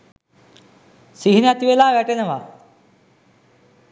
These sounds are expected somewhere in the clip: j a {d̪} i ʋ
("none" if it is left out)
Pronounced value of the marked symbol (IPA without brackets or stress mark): t̪